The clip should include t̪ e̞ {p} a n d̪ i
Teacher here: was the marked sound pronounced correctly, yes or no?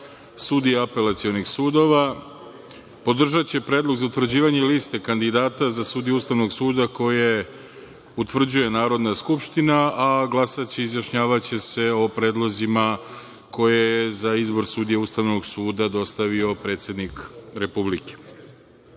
no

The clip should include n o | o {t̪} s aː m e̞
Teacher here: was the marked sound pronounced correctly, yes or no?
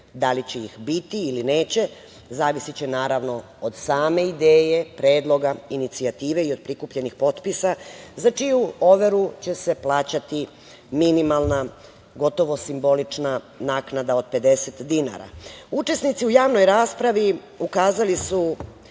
no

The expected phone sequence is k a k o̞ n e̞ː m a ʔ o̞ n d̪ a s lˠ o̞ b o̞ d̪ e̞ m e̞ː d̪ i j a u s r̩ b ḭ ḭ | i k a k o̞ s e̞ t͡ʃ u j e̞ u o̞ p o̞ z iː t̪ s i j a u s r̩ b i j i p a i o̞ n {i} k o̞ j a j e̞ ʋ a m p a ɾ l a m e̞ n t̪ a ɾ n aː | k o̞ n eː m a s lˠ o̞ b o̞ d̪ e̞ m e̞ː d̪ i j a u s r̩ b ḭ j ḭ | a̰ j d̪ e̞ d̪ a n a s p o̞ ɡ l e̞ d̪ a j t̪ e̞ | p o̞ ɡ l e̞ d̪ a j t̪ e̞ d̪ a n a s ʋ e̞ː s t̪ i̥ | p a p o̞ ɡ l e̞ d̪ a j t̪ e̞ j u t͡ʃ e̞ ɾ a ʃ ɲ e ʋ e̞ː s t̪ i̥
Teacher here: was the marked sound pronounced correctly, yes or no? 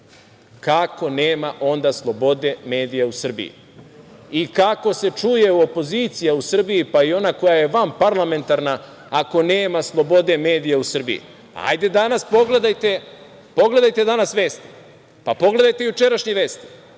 no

